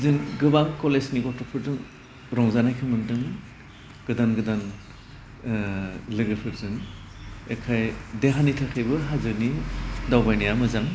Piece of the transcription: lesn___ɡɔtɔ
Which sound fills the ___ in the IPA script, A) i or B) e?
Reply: A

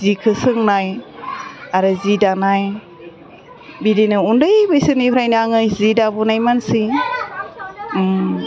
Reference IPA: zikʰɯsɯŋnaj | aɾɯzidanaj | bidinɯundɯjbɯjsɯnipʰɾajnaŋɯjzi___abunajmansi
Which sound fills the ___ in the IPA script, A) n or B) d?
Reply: B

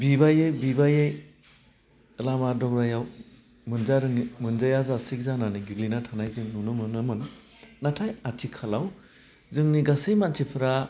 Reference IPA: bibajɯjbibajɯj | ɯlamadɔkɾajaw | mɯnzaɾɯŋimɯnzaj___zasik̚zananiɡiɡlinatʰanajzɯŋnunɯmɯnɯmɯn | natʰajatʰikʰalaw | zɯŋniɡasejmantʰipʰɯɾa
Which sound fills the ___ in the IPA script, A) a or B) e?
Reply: A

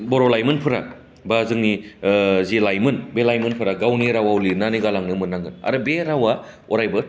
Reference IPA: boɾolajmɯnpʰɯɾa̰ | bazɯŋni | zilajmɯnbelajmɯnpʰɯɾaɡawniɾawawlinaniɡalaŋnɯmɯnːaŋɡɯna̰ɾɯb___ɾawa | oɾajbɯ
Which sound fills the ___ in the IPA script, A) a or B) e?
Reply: B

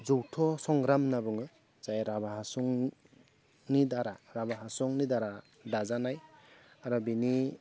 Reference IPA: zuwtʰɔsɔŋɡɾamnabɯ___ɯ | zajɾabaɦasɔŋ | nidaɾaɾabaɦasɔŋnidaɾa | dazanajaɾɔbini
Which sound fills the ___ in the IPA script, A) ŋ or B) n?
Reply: A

